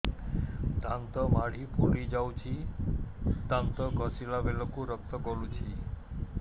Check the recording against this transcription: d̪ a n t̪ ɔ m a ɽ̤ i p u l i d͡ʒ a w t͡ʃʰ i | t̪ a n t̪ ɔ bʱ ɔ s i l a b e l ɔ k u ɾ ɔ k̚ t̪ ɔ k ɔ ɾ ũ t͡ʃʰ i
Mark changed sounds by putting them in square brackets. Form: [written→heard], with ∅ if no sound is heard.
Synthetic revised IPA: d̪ a n t̪ ɔ m a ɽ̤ i p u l i d͡ʒ a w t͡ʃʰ i | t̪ a n t̪ ɔ [bʱ→ɡʱ] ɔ s i l a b e l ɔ k u ɾ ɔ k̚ t̪ ɔ k ɔ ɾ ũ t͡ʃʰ i

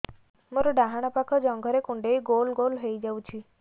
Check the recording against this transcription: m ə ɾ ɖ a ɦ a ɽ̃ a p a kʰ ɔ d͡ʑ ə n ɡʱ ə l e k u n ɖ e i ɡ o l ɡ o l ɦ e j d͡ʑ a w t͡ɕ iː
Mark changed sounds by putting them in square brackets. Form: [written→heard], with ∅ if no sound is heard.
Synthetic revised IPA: m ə ɾ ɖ a ɦ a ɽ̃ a p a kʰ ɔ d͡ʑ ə [n→ŋ] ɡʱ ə [l→ɾ] e k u [n→ɳ] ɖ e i ɡ o l ɡ o l ɦ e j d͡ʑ a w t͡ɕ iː

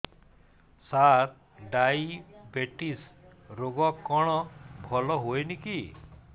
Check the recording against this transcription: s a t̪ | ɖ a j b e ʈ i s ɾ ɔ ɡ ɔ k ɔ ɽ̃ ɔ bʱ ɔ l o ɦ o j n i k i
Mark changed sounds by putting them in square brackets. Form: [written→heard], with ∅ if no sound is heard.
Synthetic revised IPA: s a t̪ | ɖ a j b e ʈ i s ɾ [ɔ→o] ɡ ɔ k ɔ ɽ̃ ɔ bʱ ɔ l [o→ɔ] ɦ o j n i k i

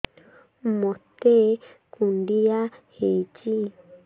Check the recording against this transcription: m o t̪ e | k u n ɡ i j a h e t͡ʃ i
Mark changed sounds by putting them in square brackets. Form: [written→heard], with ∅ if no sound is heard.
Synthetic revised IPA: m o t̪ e | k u n [ɡ→d] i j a h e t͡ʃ i

